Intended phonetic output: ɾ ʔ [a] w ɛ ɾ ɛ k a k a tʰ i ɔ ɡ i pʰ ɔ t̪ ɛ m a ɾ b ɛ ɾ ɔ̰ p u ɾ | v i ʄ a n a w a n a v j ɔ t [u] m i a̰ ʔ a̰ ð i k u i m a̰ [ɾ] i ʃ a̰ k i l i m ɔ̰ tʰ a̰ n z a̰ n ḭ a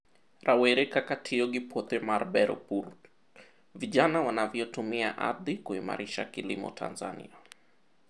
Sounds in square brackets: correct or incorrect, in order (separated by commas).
correct, correct, correct